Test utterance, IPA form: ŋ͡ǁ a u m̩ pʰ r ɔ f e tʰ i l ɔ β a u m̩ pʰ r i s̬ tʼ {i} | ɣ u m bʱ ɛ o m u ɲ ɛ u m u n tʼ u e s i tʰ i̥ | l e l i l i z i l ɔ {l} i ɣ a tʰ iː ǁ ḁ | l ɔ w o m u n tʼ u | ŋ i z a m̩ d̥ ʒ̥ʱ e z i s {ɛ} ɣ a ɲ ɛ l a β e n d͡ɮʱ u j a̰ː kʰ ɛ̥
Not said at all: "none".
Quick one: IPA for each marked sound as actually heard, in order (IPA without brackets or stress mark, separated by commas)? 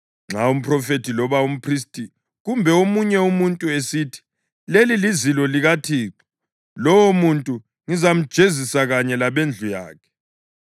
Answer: i, l, a